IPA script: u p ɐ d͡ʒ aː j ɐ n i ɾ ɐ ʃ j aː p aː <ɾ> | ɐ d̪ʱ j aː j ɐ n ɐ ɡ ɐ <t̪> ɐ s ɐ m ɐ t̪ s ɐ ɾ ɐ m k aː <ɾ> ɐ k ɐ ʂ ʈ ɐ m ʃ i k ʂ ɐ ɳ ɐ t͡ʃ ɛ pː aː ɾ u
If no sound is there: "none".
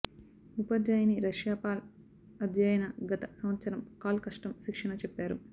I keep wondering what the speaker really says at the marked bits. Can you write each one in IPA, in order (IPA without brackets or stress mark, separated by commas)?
l, t̪, l